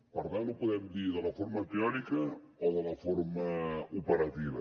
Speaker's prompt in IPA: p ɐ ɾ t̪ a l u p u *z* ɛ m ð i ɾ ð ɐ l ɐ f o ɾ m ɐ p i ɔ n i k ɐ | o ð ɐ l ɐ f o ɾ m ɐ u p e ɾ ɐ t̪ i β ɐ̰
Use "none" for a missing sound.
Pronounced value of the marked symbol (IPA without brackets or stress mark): ð